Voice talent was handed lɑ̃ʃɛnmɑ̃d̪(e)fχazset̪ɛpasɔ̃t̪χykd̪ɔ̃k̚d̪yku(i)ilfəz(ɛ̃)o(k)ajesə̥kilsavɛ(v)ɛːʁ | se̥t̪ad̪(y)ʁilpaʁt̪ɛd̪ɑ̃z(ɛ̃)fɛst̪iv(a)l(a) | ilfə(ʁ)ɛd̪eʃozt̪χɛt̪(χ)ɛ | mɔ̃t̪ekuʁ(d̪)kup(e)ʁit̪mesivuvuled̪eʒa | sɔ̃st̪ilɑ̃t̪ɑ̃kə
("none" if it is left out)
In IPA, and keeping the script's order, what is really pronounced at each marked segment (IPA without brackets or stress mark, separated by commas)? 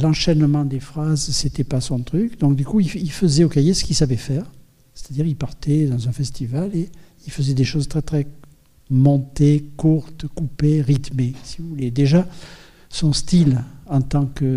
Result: e, i, ɛ, k, f, i, ɛ̃, a, e, z, χ, t̪, e